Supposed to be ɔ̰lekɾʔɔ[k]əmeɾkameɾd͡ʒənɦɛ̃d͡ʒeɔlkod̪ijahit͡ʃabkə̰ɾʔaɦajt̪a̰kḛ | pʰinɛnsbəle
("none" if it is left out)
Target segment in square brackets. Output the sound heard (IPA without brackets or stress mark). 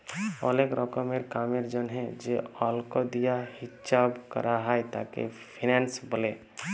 k